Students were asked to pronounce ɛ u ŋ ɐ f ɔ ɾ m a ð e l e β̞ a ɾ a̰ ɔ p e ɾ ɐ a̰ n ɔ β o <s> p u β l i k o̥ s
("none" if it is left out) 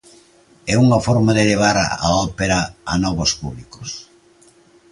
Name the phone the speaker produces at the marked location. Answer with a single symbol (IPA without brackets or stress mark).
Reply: s